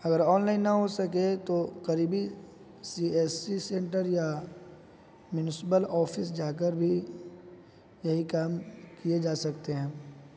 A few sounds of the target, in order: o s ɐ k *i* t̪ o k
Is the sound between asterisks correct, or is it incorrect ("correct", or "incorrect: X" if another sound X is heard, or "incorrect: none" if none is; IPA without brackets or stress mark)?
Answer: incorrect: e